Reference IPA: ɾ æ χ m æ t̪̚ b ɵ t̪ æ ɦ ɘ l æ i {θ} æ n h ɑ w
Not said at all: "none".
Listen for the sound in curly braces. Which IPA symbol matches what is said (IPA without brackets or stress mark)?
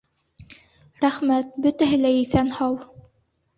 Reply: θ